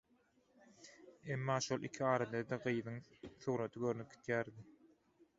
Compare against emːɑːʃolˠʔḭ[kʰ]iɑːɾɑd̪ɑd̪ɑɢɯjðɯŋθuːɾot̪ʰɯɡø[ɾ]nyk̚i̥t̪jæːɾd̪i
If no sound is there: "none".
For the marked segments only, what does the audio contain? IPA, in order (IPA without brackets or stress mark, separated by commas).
kʰ, ɾ